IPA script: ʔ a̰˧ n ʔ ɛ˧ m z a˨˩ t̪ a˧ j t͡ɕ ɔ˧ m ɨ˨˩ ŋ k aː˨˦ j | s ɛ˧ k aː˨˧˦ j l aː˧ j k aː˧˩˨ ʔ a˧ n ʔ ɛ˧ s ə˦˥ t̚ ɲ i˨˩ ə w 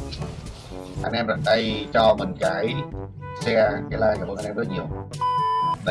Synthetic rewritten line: ʔ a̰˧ n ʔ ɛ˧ m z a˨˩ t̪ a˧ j t͡ɕ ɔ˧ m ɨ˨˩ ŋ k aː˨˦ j | s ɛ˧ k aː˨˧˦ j l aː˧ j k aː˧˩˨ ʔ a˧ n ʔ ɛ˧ z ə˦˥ t̚ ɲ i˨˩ ə w